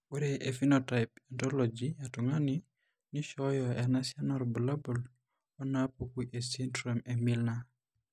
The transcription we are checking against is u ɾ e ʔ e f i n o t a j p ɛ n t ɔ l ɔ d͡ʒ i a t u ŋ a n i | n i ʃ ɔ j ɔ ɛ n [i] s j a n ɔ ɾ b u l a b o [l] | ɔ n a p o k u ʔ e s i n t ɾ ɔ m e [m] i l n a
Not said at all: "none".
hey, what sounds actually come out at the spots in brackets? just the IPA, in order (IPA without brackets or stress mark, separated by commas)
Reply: a, l, m